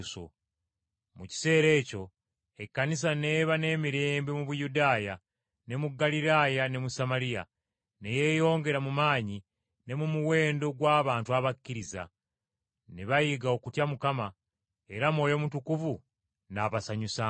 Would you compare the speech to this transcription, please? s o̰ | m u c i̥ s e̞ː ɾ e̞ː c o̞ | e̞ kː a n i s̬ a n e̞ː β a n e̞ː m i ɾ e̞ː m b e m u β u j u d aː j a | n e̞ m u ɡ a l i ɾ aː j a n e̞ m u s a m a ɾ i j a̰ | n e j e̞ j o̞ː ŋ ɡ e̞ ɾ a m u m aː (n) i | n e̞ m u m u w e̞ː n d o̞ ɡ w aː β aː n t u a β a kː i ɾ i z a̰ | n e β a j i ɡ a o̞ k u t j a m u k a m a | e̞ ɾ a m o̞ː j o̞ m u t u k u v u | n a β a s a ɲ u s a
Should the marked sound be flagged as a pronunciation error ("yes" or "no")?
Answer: yes